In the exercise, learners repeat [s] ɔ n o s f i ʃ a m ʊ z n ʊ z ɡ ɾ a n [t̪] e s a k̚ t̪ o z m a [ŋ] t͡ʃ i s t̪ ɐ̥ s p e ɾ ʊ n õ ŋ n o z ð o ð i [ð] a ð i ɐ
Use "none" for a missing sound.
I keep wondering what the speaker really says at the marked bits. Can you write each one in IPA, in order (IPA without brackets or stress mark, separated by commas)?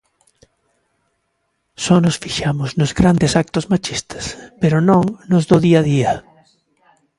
s, d̪, none, none